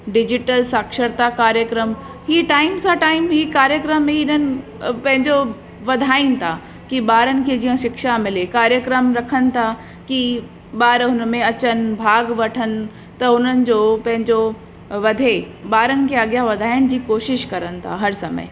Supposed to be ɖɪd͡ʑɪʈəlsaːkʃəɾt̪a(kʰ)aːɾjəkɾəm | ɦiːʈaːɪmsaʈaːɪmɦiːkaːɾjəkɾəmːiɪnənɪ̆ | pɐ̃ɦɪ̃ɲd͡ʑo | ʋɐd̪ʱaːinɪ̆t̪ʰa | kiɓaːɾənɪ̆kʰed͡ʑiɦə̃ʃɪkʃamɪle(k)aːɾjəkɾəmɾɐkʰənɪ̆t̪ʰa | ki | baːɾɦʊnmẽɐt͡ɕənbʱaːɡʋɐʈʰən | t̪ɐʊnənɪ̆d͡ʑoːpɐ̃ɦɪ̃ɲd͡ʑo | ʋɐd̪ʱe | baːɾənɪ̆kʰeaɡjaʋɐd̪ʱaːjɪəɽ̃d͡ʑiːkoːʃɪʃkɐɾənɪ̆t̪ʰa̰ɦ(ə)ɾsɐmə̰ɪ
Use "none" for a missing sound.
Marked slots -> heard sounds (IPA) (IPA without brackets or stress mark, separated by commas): k, k, ɐ